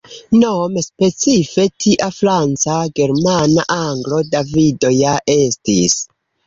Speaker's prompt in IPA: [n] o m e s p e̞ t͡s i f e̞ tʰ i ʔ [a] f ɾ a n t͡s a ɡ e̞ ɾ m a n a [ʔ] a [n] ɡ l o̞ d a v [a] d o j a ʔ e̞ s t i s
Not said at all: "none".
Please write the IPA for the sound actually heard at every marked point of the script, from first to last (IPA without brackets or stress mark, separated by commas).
n, a, ʔ, ŋ, i